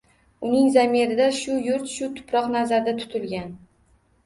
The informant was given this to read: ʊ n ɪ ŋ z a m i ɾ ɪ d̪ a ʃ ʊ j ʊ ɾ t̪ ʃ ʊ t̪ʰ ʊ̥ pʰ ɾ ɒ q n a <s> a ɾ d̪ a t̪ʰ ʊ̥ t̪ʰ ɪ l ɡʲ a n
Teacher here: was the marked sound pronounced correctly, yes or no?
no